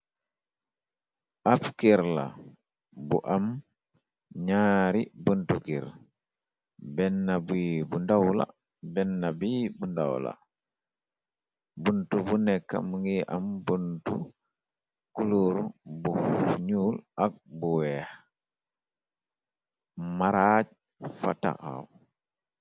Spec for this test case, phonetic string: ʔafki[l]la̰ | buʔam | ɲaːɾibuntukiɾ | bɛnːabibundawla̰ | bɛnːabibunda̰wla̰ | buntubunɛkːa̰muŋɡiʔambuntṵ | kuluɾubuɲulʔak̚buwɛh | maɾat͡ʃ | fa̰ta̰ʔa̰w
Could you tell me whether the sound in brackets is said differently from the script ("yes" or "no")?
yes